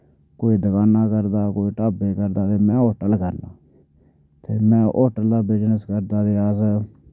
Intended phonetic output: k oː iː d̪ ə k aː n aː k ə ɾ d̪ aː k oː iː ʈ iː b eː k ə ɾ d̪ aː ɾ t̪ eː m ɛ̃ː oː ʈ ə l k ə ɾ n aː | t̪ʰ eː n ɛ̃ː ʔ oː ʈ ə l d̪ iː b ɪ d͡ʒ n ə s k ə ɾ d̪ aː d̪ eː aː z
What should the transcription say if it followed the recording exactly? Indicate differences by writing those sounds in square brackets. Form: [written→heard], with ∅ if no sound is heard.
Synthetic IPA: k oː iː d̪ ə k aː n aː k ə ɾ d̪ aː k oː iː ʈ [iː→aː] b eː k ə ɾ d̪ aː [ɾ→∅] t̪ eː m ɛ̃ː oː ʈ ə l k ə ɾ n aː | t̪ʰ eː [n→m] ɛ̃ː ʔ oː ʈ ə l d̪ [iː→aː] b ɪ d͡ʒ n ə s k ə ɾ d̪ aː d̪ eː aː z